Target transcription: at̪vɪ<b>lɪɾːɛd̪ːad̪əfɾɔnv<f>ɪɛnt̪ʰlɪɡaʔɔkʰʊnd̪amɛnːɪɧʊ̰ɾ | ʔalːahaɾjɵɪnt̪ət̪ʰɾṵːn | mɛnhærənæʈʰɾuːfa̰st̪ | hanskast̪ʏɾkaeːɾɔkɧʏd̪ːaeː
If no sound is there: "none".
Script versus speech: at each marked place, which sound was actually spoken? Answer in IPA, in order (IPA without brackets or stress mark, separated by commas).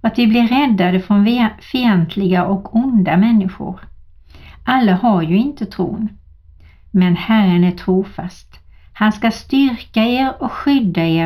b, f